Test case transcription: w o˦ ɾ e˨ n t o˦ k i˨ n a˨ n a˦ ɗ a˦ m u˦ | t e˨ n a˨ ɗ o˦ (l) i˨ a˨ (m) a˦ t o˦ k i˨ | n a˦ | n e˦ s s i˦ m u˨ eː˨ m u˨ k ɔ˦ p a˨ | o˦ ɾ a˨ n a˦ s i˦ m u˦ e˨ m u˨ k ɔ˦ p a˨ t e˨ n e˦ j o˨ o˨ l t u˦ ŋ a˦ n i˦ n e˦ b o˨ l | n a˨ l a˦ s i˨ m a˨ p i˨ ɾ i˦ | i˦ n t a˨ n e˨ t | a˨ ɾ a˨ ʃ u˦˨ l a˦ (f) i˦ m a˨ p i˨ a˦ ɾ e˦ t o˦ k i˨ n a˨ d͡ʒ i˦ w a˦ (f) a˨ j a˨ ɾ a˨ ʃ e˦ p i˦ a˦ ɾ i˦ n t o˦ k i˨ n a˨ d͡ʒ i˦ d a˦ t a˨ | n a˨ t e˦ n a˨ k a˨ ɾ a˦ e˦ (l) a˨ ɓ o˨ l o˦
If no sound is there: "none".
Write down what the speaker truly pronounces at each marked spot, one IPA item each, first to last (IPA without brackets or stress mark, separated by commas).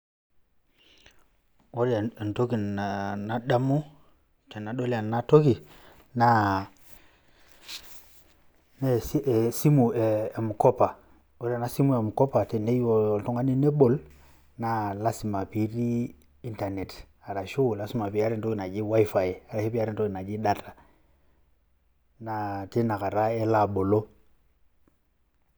l, n, s, f, l